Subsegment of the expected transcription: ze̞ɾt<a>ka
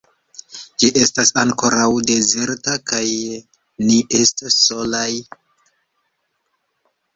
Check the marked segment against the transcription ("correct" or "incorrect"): correct